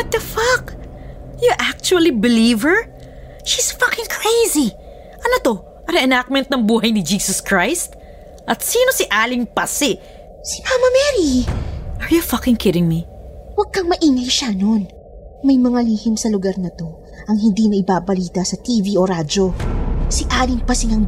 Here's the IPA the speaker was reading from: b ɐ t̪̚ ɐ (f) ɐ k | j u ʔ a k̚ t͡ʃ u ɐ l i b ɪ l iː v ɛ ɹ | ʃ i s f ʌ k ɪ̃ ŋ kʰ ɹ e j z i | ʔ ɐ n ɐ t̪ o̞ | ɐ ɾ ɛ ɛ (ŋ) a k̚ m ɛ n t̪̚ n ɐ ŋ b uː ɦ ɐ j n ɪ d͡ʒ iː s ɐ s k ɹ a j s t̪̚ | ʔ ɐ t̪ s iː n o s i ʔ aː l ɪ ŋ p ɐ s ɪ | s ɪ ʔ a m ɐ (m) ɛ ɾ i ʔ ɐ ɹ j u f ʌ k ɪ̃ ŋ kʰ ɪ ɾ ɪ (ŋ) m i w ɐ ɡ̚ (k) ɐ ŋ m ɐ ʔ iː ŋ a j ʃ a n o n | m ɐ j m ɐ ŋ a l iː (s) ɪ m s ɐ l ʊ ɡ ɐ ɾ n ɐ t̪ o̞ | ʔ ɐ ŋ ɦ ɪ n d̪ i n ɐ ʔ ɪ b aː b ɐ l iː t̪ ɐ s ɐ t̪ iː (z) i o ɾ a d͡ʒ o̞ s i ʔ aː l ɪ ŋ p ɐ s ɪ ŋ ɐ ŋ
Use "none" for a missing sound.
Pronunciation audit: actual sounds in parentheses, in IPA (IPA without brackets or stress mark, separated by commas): f, n, m, ŋ, k, h, v